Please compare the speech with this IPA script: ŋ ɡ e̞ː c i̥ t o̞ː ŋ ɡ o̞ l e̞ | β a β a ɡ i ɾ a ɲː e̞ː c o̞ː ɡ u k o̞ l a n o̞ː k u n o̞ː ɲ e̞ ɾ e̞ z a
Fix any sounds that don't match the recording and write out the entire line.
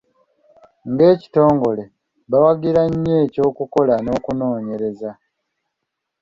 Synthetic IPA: ŋ ɡ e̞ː c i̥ t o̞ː ŋ ɡ o̞ l e̞ | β a w a ɡ i ɾ a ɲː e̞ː c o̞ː k u k o̞ l a n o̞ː k u n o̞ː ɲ e̞ ɾ e̞ z a